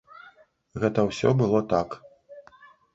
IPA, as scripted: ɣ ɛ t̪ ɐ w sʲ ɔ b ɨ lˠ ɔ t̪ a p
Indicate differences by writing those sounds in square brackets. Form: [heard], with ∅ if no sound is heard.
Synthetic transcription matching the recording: ɣ ɛ t̪ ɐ w sʲ ɔ b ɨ lˠ ɔ t̪ a [k]